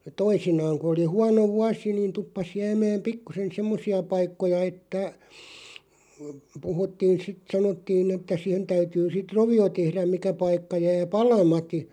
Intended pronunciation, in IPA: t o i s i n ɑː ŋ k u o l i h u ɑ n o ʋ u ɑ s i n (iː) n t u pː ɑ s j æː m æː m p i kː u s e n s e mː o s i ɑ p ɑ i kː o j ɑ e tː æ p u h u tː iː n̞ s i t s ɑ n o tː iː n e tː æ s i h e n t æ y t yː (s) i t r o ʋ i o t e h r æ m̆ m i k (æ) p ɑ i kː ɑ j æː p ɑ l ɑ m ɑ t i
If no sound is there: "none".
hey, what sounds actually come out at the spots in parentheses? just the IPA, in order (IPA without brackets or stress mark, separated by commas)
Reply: iː, s, æ